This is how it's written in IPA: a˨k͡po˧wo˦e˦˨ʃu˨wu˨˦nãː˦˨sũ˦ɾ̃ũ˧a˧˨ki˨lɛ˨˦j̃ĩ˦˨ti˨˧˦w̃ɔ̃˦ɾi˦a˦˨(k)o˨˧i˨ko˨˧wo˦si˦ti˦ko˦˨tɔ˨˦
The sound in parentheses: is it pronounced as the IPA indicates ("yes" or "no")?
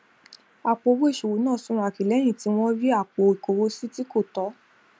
no